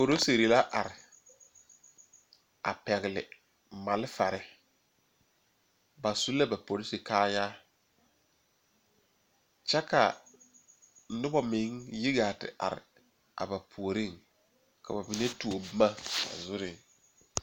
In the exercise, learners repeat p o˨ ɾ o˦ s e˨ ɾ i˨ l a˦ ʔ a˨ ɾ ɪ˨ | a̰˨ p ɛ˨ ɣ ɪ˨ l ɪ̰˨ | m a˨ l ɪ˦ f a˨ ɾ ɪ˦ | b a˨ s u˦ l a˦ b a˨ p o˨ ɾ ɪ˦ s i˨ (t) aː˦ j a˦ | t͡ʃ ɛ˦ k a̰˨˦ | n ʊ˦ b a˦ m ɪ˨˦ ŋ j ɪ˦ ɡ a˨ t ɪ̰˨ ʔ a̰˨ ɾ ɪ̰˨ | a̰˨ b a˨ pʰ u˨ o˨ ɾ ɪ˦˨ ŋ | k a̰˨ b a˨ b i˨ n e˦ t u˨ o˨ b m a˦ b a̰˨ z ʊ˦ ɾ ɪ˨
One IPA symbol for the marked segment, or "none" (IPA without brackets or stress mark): k